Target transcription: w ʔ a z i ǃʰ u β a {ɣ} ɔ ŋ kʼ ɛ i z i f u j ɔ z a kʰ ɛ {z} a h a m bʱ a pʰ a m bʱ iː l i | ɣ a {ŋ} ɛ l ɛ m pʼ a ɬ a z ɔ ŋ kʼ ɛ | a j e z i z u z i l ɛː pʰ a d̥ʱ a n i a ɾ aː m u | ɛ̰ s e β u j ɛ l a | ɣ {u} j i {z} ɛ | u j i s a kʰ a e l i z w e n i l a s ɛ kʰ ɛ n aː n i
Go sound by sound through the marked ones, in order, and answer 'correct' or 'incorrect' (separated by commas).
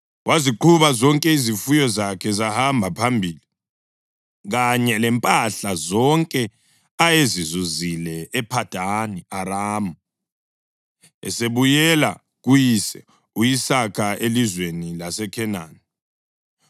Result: incorrect, correct, incorrect, correct, incorrect